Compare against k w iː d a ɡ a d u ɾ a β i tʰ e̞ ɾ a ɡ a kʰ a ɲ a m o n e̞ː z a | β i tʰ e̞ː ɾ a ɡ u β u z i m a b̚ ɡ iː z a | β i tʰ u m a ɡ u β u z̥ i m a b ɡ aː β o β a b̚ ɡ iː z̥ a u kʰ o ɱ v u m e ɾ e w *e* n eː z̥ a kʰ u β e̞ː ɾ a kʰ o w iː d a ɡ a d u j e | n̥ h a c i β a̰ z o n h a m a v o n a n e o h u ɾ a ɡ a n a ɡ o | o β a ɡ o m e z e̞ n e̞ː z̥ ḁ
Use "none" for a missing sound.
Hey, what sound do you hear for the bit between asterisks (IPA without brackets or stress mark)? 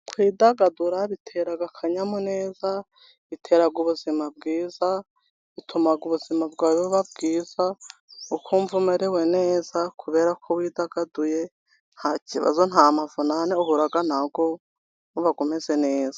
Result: e